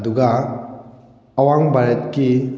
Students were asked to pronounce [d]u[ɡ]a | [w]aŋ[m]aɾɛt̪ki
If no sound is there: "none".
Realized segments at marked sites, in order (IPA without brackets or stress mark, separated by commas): d, ɡ, w, b